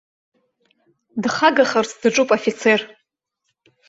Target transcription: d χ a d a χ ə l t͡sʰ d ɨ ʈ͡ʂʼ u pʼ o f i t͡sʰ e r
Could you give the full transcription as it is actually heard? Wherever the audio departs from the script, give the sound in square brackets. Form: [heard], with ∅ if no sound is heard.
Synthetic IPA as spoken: d χ a [ɡ] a χ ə [r] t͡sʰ d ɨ ʈ͡ʂʼ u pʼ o f i t͡sʰ e r